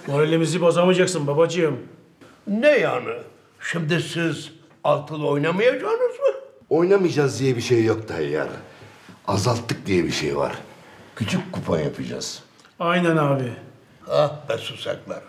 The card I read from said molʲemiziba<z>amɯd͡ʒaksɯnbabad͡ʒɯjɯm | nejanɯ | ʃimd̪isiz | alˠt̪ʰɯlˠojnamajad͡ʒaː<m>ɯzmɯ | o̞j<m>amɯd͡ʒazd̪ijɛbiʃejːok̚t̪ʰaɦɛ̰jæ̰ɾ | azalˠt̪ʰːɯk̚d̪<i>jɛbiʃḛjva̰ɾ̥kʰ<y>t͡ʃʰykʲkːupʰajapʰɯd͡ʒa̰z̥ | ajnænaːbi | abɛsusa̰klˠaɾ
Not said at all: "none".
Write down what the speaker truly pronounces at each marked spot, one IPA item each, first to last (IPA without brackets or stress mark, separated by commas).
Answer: z, n, n, i, y